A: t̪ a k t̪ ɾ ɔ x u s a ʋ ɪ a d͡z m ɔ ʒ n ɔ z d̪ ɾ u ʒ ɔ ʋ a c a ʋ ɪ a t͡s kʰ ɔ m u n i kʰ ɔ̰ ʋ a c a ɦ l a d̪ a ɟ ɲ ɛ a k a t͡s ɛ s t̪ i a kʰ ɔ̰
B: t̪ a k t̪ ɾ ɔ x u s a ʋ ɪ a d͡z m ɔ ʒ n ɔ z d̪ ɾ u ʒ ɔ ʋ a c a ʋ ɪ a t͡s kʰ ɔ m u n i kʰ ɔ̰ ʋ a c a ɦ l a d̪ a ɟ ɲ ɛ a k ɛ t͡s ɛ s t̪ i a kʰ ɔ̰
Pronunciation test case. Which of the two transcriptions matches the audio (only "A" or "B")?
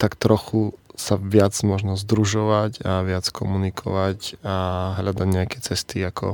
B